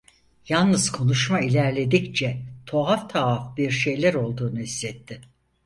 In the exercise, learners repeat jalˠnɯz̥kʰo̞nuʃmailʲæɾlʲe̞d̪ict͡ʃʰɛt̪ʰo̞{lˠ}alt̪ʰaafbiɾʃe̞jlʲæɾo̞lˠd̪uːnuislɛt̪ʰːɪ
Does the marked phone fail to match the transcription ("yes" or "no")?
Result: yes